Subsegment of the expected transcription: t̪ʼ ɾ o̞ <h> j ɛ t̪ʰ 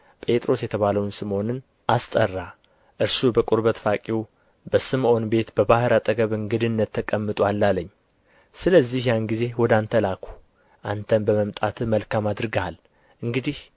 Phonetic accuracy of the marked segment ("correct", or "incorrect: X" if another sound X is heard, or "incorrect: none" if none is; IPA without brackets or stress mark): incorrect: s